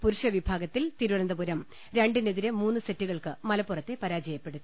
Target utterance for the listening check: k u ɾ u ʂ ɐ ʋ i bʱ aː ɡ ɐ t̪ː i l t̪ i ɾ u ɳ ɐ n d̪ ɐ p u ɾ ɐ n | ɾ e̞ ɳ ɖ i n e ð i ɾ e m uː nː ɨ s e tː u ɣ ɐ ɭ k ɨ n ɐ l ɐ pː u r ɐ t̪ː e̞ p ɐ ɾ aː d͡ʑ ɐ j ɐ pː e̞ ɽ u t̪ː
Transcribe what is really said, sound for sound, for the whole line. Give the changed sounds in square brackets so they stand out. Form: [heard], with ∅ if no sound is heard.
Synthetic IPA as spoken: [p] u ɾ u ʂ ɐ ʋ i bʱ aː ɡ ɐ t̪ː i l t̪ i ɾ u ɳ ɐ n d̪ ɐ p u ɾ ɐ [m] | ɾ e̞ ɳ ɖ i n e ð i ɾ e m uː nː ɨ s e tː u ɣ ɐ ɭ k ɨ [m] ɐ l ɐ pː u r ɐ t̪ː e̞ p ɐ ɾ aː d͡ʑ ɐ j ɐ pː e̞ ɽ u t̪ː